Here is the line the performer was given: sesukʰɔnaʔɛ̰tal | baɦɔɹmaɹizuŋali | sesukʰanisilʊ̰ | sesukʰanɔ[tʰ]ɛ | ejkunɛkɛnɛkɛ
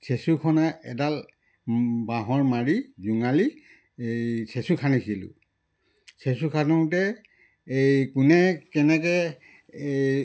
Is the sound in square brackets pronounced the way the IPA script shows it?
no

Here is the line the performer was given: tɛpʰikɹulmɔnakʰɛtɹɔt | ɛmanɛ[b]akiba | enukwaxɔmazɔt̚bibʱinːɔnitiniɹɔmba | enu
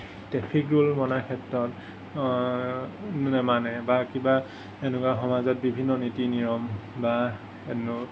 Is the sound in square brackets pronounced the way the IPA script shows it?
yes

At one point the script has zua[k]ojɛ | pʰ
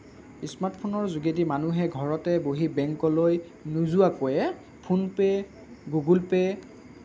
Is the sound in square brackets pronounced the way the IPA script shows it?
yes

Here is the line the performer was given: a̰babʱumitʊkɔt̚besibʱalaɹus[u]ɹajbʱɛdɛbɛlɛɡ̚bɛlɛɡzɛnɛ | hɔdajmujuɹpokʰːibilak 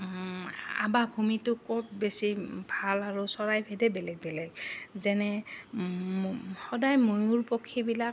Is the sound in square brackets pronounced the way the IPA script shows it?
no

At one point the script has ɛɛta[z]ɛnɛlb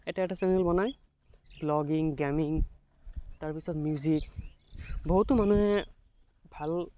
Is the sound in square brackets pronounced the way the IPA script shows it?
no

